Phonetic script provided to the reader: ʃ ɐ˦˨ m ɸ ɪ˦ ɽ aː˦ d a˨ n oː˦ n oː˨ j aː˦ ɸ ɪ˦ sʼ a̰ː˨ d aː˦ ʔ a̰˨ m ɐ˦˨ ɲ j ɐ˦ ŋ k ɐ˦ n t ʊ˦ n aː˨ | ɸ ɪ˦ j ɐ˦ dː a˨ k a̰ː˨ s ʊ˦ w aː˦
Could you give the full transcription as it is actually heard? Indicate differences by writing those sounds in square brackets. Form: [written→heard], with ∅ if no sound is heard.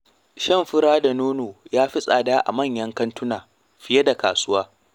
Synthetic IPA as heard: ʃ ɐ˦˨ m ɸ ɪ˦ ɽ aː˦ d a˨ n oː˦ n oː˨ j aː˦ ɸ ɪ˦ sʼ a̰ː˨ d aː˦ ʔ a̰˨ m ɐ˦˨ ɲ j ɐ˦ ŋ k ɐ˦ n t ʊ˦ n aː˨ | ɸ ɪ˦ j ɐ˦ [dː→d] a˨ k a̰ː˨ s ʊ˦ w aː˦